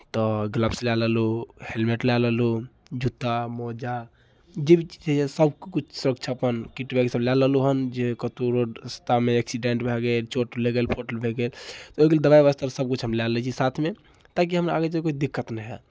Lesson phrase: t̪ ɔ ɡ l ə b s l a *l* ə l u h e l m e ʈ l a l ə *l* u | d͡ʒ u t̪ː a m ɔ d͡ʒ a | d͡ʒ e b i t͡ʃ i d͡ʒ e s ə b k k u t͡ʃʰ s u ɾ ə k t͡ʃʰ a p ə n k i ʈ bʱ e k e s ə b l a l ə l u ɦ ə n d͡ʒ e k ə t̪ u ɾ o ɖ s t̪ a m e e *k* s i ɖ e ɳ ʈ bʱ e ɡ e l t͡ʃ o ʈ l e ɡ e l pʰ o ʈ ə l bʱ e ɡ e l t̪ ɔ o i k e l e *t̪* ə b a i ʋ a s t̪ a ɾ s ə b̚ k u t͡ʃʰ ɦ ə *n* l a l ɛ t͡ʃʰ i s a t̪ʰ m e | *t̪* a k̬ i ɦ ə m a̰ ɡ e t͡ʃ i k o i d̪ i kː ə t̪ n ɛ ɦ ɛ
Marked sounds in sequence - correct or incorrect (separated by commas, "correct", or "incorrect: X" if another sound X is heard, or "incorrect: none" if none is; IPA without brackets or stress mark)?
correct, correct, correct, incorrect: d̪, incorrect: m, correct